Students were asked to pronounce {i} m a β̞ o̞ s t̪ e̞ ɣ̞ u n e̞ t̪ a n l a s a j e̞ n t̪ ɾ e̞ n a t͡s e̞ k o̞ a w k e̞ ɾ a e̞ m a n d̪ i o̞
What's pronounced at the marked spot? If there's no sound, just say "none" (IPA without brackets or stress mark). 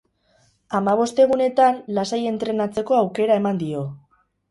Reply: a